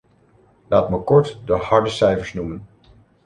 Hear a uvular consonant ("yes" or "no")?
no